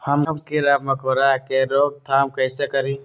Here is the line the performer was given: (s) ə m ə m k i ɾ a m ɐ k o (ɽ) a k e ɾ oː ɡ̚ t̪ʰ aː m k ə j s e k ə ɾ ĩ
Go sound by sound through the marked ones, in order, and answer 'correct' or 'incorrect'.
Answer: incorrect: h, incorrect: ɾ

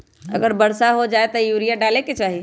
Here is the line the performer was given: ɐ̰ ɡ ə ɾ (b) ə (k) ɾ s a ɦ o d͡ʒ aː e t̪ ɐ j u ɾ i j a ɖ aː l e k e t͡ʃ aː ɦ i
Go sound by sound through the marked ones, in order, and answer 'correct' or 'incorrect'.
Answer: correct, incorrect: none

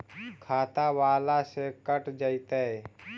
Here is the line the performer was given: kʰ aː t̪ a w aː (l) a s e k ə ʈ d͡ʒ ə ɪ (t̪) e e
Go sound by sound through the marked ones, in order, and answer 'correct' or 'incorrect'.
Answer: correct, correct

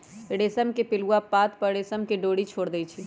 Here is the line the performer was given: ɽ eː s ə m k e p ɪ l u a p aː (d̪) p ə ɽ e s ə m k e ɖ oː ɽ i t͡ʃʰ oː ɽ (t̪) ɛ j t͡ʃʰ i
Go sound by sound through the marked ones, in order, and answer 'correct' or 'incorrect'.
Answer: incorrect: t̪, incorrect: d̪

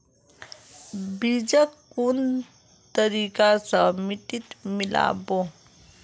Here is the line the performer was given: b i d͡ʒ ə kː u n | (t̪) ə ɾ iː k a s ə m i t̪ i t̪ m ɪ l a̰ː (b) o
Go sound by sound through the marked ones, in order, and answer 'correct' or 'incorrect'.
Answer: correct, correct

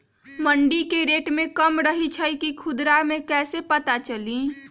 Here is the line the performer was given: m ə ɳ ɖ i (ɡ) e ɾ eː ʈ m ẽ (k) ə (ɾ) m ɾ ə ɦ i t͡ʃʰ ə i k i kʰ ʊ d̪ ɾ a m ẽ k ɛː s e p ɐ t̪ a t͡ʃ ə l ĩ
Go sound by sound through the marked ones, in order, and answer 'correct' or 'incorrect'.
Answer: incorrect: k, correct, incorrect: none

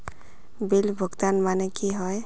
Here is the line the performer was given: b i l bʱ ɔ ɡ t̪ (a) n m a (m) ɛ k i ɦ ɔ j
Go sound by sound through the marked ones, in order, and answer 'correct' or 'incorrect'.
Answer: correct, incorrect: n

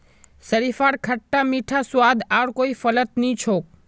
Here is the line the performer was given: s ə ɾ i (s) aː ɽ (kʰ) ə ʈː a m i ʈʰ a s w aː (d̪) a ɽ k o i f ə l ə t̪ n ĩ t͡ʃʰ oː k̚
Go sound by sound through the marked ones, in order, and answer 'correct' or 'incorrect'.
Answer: incorrect: f, correct, correct

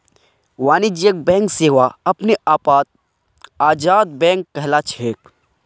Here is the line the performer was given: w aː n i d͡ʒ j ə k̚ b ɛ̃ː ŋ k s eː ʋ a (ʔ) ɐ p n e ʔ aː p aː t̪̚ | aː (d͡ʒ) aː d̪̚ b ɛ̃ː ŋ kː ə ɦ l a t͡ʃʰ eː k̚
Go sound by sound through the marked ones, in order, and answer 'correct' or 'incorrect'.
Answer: incorrect: none, correct

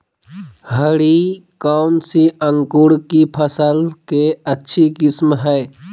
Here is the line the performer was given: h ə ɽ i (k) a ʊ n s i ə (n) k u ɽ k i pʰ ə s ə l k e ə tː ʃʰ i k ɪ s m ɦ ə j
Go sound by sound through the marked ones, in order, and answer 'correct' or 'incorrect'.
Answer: correct, incorrect: ŋ

